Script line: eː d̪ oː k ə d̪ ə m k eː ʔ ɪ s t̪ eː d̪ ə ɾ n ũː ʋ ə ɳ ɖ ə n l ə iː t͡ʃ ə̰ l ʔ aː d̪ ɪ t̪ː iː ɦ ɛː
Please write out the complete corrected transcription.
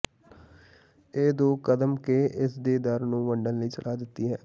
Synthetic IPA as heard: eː d̪ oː k ə d̪ ə m k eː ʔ ɪ s d̪ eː d̪ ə ɾ n ũː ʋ ə ɳ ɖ ə n l ə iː t͡ʃ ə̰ l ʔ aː d̪ ɪ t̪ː iː ɦ ɛː